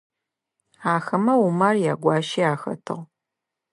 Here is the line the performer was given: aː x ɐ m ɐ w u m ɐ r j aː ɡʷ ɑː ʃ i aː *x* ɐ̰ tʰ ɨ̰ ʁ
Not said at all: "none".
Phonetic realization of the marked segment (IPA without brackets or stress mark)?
x